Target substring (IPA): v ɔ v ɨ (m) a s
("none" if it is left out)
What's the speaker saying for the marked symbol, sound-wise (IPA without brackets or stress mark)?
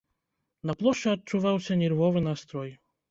n